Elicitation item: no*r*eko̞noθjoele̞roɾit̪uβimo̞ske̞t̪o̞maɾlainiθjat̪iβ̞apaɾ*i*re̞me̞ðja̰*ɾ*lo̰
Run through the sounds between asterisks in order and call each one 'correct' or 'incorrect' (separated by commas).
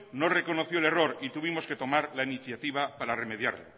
correct, incorrect, correct